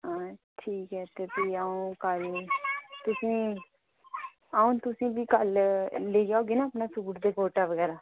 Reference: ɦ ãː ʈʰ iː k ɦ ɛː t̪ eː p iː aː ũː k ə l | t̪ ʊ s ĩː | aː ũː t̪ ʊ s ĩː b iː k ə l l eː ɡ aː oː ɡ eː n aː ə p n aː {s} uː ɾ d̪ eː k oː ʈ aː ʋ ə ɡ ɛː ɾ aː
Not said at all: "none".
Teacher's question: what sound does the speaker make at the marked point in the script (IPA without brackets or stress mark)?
s